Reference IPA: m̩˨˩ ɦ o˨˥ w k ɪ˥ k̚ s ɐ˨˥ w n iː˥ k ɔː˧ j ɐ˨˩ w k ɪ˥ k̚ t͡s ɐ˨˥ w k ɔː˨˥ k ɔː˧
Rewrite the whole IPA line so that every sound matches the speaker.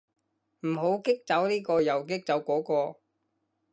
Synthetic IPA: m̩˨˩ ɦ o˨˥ w k ɪ˥ k̚ t͡s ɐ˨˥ w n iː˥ k ɔː˧ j ɐ˨˩ w k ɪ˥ k̚ t͡s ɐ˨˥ w k ɔː˨˥ k ɔː˧